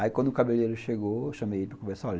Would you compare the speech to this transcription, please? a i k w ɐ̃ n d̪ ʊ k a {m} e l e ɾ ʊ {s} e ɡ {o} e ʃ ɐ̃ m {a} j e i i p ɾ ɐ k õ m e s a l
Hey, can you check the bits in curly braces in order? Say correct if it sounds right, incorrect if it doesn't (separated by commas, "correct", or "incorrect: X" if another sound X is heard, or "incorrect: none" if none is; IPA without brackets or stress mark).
incorrect: b, incorrect: ʃ, correct, incorrect: e